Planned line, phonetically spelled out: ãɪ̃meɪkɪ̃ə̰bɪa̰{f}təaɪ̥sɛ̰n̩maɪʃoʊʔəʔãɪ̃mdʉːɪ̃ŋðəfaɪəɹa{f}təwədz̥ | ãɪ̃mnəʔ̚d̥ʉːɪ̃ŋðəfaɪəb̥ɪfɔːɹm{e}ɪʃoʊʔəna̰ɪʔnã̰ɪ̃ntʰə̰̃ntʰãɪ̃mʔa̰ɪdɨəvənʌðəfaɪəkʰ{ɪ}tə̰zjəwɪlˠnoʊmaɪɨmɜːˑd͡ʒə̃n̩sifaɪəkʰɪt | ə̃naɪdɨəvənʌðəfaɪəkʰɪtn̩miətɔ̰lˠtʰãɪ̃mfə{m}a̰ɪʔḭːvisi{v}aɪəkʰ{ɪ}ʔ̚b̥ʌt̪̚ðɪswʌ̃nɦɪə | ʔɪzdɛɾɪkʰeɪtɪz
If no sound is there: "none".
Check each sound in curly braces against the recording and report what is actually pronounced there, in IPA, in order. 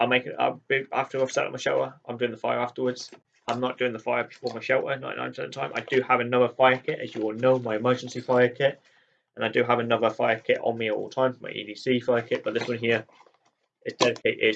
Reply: f, f, a, ɪ, m, f, ɪ

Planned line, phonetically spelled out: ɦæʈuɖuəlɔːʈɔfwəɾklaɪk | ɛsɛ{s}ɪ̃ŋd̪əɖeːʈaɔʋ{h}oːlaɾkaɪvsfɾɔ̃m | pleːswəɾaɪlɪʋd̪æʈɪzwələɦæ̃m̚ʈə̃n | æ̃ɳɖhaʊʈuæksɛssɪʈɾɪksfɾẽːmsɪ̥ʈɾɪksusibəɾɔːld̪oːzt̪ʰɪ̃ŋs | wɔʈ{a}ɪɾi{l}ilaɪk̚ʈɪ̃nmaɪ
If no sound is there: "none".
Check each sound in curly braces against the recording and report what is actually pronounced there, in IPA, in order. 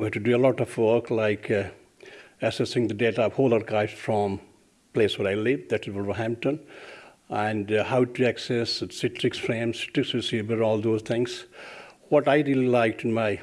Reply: s, h, a, l

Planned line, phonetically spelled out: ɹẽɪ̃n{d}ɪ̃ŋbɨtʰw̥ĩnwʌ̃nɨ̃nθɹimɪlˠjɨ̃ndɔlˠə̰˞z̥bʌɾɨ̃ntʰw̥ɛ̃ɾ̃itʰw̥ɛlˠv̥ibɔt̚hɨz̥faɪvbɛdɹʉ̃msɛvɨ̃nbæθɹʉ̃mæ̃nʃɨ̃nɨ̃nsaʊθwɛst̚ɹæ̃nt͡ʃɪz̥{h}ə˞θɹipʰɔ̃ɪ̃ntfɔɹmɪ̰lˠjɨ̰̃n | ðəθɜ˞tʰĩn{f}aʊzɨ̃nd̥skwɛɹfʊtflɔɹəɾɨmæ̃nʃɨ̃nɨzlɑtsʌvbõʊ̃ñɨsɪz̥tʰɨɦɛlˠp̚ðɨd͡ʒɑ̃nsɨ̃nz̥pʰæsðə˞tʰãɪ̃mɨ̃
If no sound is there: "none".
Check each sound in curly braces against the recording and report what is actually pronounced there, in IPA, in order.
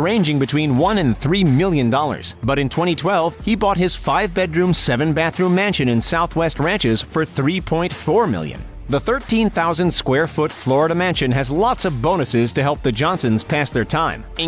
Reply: d͡ʒ, f, θ

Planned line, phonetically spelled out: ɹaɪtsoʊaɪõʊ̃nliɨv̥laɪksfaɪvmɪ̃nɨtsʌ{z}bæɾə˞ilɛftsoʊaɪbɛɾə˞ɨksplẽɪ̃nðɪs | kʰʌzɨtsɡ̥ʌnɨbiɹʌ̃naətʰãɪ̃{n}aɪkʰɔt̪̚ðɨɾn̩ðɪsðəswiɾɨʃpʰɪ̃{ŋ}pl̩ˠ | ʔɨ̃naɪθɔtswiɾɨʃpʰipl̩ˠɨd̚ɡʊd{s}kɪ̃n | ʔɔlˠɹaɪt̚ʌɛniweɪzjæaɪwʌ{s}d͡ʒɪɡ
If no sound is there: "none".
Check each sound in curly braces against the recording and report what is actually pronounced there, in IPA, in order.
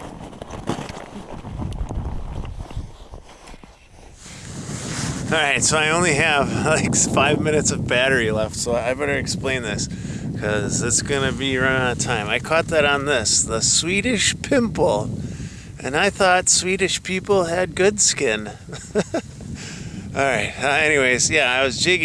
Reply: v, m, m, s, z

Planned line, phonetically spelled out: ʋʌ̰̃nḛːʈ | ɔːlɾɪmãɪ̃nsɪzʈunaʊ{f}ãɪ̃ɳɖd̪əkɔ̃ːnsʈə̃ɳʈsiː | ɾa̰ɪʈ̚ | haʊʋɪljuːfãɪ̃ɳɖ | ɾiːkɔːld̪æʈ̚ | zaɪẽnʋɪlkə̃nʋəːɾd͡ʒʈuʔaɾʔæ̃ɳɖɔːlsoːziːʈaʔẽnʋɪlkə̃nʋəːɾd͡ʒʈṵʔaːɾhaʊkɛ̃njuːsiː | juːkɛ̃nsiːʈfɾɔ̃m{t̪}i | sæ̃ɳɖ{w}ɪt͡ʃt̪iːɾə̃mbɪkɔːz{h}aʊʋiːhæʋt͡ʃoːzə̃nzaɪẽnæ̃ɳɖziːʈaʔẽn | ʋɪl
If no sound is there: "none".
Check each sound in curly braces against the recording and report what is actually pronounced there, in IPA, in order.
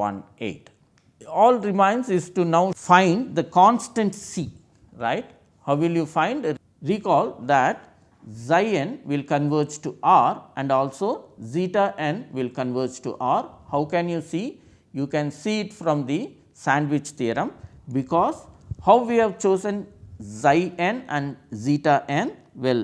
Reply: f, d̪, ʋ, h

